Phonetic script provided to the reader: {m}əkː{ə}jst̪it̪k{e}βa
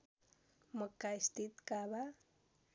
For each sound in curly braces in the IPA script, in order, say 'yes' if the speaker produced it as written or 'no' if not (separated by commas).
yes, no, no